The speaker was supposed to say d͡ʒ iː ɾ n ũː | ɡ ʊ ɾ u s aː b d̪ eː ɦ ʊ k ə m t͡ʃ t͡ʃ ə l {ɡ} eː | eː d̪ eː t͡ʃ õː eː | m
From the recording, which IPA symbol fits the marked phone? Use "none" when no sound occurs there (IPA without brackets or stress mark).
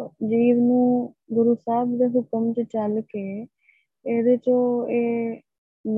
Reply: k